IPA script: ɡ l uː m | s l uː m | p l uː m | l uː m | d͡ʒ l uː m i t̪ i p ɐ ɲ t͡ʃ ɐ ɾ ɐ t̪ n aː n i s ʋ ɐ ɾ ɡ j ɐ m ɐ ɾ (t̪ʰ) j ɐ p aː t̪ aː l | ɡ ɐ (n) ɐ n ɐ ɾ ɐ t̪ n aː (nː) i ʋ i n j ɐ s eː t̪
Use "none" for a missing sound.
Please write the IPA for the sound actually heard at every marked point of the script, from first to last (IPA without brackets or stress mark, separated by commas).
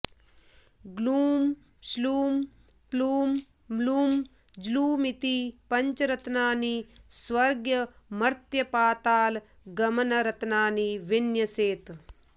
t̪, m, n